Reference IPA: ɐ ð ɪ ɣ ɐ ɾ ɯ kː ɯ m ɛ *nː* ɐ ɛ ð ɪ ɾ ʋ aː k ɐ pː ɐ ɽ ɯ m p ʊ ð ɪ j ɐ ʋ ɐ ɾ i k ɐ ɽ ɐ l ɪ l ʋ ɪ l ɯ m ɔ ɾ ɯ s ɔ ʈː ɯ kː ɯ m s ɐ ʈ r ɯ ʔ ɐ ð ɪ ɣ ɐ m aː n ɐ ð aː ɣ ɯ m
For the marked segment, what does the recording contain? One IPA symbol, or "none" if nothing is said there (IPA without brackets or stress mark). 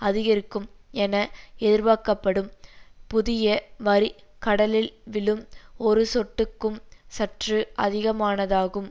n